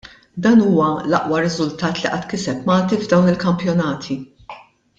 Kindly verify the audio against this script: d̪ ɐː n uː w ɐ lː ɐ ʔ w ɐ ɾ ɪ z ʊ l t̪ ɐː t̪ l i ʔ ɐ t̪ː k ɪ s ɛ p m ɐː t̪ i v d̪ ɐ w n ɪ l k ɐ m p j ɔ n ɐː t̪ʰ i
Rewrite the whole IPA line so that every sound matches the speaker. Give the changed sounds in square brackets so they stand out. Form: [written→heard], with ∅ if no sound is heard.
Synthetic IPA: d̪ ɐː n uː w ɐ [lː→l] ɐ ʔ w ɐ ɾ ɪ z ʊ l t̪ ɐː t̪ l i ʔ ɐ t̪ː k ɪ s ɛ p m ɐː t̪ i v d̪ ɐ w n ɪ l k ɐ m p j ɔ n ɐː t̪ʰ i